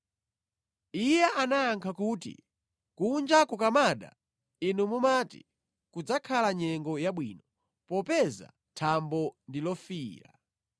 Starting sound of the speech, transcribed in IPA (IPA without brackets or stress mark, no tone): i